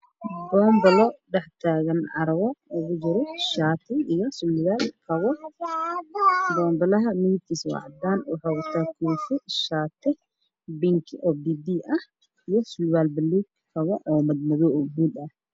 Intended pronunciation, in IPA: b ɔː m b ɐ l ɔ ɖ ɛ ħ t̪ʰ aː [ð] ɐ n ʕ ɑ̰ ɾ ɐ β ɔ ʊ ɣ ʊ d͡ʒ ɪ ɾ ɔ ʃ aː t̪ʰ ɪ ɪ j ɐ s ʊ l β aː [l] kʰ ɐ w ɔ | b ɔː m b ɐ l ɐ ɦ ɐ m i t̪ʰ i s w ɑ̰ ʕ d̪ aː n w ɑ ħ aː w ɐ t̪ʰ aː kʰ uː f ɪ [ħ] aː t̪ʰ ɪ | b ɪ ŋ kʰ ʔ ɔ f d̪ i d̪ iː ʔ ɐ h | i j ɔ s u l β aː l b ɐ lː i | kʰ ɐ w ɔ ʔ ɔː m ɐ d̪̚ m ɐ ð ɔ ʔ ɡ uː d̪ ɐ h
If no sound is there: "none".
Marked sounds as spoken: ɣ, l, ʃ

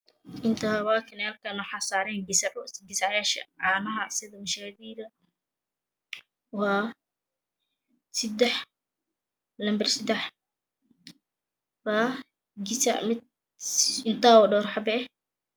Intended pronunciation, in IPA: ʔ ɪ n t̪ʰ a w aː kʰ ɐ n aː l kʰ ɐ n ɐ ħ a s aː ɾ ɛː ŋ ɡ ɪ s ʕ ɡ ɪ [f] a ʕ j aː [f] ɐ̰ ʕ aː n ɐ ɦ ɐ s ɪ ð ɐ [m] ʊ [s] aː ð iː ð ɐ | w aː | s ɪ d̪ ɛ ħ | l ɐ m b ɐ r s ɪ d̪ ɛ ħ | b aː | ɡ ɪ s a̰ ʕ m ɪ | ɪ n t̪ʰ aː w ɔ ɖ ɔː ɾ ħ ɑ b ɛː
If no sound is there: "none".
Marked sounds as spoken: s, ʃ, m, ʃ

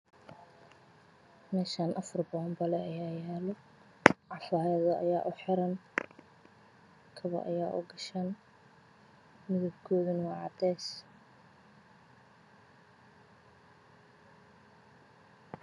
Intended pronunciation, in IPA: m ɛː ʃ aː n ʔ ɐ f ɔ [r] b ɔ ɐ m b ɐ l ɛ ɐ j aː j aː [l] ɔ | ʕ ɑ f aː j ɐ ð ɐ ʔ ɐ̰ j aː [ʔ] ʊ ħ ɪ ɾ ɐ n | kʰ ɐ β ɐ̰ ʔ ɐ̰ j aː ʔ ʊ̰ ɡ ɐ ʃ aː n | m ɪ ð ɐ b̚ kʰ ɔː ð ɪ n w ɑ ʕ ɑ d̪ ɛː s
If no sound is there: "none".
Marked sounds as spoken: r, l, ʔ

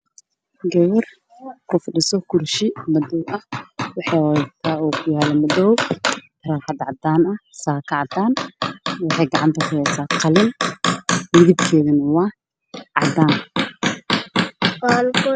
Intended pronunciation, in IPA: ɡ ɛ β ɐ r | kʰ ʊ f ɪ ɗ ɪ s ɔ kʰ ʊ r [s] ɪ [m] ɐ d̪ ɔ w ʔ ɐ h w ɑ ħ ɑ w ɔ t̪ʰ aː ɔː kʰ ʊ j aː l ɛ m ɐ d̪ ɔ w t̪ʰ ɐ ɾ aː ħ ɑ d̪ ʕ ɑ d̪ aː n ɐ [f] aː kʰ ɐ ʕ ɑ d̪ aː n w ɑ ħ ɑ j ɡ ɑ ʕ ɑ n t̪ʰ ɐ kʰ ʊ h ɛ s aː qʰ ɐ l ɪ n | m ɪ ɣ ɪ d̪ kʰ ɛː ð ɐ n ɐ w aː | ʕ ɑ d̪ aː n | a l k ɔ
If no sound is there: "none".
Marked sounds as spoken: ʃ, m, s

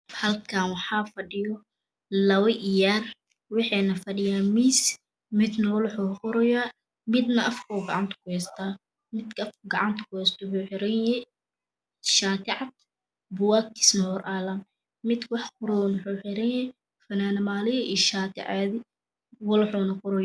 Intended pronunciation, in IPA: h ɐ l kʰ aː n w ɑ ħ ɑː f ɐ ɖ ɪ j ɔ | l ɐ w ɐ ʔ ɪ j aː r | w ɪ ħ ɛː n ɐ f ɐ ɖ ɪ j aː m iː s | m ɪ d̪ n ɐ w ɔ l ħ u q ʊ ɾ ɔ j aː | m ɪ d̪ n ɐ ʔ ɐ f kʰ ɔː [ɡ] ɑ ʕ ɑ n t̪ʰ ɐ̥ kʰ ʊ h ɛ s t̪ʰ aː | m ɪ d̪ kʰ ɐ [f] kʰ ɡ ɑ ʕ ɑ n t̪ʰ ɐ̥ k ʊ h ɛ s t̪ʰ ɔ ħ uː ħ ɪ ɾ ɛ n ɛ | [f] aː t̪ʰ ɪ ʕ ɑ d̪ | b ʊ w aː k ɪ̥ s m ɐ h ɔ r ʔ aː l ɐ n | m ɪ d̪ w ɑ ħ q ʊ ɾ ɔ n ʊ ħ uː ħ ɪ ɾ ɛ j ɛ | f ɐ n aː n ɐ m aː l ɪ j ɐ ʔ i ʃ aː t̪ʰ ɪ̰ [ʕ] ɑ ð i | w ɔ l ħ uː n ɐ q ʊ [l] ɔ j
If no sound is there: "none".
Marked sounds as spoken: ɡ, f, ʃ, ʕ, ɾ

